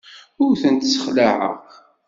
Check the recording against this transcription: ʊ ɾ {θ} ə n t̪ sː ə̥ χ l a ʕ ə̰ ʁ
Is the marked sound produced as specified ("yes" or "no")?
yes